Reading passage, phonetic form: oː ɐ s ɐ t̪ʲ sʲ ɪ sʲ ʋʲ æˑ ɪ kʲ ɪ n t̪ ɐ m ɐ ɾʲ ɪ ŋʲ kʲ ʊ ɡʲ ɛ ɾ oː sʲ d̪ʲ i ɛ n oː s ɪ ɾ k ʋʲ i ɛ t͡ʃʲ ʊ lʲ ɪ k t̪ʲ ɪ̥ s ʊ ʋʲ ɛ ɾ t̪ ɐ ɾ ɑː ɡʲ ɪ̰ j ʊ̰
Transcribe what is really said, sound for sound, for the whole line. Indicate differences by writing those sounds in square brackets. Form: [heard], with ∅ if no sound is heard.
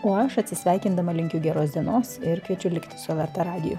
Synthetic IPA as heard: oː ɐ [ʃ] ɐ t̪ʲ sʲ ɪ sʲ ʋʲ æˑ ɪ kʲ ɪ n [d̪] ɐ m ɐ [lʲ] ɪ ŋʲ kʲ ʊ ɡʲ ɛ ɾ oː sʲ d̪ʲ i ɛ n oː s ɪ ɾ k ʋʲ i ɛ t͡ʃʲ ʊ lʲ ɪ k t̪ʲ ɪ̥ s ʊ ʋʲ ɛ ɾ t̪ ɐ ɾ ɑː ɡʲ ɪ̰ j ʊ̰